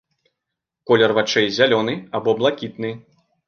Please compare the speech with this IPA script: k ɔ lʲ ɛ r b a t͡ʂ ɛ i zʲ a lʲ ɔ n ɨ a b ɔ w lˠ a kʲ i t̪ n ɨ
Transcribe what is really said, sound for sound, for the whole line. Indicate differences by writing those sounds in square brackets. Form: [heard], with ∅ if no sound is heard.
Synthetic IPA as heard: k ɔ lʲ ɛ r [v] a t͡ʂ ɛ [j] zʲ a lʲ ɔ n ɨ a b ɔ [b] lˠ a kʲ i t̪ n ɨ